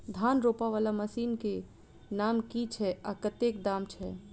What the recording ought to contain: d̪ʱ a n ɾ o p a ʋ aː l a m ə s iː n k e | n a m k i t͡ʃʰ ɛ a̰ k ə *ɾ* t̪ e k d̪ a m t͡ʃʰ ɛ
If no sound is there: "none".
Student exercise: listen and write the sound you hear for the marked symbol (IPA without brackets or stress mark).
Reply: none